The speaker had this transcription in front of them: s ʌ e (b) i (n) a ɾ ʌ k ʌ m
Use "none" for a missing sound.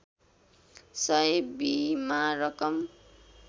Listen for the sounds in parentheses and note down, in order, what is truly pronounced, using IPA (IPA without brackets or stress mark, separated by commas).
b, m